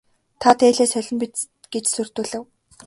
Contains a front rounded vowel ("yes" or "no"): yes